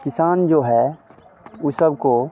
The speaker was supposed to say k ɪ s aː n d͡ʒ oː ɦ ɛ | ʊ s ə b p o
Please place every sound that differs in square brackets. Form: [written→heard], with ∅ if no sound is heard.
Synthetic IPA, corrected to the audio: k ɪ s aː n d͡ʒ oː ɦ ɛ | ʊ s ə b [p→k] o